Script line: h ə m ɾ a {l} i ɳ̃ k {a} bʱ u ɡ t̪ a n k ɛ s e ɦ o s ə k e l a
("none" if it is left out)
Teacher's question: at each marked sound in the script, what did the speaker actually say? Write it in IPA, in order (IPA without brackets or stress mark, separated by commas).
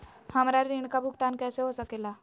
ɾ, a